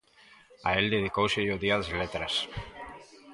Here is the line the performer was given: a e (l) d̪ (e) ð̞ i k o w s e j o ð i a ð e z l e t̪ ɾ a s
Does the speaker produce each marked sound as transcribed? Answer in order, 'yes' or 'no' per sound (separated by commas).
yes, yes